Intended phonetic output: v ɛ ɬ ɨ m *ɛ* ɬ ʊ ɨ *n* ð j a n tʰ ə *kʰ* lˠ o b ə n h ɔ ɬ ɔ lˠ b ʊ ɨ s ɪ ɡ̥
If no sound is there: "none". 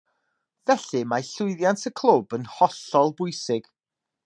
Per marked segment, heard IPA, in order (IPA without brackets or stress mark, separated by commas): a, none, kʰ